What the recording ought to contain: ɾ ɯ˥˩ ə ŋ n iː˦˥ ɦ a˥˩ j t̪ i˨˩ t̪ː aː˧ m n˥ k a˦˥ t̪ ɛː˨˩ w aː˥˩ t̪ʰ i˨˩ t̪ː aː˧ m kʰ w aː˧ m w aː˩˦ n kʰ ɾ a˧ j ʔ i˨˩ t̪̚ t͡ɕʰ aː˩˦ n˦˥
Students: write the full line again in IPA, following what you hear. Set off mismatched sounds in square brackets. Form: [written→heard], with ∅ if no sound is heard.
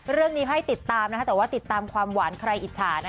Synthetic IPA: ɾ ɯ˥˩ ə ŋ n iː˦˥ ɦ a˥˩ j t̪ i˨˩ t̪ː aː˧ m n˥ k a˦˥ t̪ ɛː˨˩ w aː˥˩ [t̪ʰ→t̪] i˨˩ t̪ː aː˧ m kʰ w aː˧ m w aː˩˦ n kʰ ɾ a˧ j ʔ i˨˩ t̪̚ t͡ɕʰ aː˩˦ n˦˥

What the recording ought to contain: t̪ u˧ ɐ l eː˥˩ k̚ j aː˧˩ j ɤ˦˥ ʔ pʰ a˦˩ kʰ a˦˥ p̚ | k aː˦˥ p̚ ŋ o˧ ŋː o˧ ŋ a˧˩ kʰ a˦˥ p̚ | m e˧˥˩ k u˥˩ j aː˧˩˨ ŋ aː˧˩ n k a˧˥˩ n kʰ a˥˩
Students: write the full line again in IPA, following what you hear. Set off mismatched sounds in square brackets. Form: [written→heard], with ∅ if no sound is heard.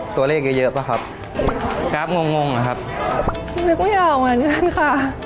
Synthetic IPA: t̪ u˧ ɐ l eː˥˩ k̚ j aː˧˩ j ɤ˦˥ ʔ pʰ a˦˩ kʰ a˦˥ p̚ | k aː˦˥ p̚ ŋ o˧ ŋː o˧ ŋ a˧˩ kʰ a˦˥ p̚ | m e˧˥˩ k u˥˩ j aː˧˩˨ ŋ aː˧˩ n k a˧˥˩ n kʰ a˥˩

